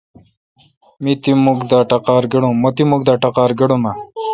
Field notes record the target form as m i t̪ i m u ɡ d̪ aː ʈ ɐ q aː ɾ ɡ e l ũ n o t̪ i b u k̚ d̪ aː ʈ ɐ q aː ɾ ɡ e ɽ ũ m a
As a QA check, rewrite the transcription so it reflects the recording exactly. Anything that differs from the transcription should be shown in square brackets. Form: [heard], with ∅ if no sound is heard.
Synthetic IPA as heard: m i t̪ i m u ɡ d̪ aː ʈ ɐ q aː ɾ ɡ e [ɽ] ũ [m] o t̪ i [m] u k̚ d̪ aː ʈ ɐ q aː ɾ ɡ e ɽ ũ m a